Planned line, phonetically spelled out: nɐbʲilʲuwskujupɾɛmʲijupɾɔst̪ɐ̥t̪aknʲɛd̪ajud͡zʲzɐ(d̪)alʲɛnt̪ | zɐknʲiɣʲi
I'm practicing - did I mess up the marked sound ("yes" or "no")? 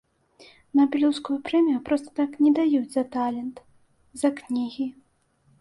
yes